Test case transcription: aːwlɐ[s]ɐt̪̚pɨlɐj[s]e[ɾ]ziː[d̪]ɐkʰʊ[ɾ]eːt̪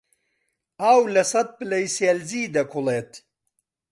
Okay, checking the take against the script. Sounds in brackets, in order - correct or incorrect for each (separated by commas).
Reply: correct, correct, incorrect, correct, incorrect